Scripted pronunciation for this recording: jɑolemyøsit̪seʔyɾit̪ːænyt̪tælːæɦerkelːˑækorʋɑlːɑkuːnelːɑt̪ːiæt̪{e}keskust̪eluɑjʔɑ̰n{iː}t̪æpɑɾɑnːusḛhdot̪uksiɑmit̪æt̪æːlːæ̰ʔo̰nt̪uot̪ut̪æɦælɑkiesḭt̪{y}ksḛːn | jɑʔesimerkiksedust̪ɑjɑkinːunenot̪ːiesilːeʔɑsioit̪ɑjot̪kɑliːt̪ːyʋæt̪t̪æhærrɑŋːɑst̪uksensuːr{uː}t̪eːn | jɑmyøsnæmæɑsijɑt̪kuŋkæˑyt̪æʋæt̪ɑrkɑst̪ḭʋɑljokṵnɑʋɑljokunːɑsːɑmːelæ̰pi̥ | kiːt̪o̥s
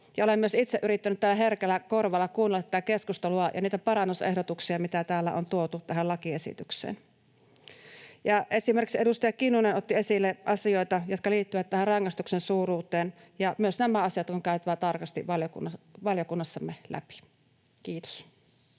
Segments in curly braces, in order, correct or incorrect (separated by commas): incorrect, correct, correct, correct